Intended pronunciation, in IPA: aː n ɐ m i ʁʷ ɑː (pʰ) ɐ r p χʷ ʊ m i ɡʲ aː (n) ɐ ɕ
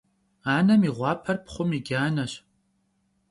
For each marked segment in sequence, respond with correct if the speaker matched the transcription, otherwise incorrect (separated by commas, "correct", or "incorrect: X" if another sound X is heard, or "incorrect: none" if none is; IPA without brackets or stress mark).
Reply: correct, correct